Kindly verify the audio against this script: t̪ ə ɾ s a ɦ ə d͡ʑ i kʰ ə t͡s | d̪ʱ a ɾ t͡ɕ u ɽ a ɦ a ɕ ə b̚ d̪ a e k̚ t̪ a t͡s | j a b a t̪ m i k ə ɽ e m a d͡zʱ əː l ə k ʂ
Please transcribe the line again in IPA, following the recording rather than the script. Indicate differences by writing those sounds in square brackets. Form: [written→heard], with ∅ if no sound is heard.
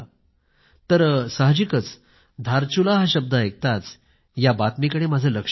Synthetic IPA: t̪ ə ɾ s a ɦ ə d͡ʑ i [kʰ→k] ə t͡s | d̪ʱ a ɾ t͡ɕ u [ɽ→l] a ɦ a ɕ ə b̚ d̪ a e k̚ t̪ a t͡s | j a b a t̪ m i k ə ɽ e m a d͡zʱ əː l ə k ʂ